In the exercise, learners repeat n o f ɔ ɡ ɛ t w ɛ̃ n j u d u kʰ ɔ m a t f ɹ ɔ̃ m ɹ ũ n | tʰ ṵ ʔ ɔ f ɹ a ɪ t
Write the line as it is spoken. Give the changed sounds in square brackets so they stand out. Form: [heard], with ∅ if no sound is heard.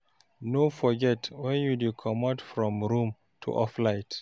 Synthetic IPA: n o f ɔ ɡ ɛ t w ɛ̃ n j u d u kʰ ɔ m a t f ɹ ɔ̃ m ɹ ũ [m] | tʰ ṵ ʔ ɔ f [l] a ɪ t

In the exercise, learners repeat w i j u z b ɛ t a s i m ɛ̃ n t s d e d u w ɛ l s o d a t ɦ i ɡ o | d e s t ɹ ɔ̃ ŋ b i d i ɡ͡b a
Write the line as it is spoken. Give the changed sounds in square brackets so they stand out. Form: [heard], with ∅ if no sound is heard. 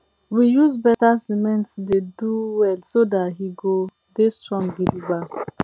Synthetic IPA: w i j u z b ɛ t a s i m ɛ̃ n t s d e d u w ɛ l s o d a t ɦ i ɡ o | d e s t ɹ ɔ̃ ŋ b i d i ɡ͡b a

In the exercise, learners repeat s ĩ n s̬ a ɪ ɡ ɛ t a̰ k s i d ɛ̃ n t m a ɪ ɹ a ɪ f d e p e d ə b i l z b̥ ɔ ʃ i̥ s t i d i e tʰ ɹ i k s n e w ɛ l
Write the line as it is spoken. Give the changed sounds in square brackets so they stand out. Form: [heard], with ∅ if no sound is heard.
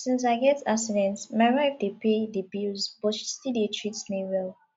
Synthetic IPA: s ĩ n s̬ a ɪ ɡ ɛ t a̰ k s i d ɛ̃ n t m a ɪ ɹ a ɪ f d e p e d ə b i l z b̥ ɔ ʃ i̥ s t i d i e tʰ ɹ i [t] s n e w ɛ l

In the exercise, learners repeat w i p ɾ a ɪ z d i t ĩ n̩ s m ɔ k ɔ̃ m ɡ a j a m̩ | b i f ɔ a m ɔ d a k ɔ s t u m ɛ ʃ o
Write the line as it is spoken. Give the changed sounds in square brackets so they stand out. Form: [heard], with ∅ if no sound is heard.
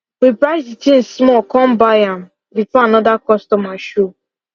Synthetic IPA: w i p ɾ a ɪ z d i t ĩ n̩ s m ɔ k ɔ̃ m [b] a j a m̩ | b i f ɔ a [n] ɔ d a k ɔ s t [ɔ] m [a] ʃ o

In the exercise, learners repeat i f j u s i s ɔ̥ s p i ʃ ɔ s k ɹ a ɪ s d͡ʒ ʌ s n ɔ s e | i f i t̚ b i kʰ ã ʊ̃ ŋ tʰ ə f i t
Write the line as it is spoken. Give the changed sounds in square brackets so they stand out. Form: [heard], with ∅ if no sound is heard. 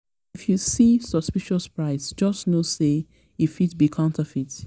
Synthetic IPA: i f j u s i s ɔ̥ s p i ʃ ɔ s [p] ɹ a ɪ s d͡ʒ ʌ s n [o] s e | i f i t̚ b i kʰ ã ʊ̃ [n] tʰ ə f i t

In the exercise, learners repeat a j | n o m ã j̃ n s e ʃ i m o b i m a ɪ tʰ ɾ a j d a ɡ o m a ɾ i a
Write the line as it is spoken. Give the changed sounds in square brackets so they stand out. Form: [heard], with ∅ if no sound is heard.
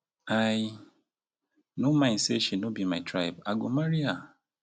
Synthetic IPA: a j | n o m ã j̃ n s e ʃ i [n] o b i m a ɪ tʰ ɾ a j [b] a ɡ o m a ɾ i a

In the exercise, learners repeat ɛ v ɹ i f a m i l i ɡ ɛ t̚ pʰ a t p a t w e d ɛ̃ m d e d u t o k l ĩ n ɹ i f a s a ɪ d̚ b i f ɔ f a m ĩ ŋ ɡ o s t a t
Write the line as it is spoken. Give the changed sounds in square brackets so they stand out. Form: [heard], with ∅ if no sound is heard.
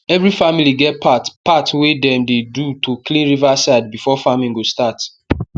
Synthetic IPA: ɛ v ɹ i f a m i l i ɡ ɛ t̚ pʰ a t p a t w e d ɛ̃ m d e d u t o k l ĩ n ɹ i [v] a s a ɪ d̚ b i f ɔ f a m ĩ ŋ ɡ o s t a t

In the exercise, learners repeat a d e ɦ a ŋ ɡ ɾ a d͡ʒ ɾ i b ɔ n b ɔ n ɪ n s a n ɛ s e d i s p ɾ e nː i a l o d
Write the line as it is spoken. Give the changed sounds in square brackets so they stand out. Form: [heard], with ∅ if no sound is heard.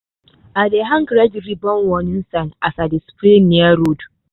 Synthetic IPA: a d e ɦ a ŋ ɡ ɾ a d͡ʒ ɾ i b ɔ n [w] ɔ n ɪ n s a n [a] s [a] d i s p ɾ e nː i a [ɾ] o d

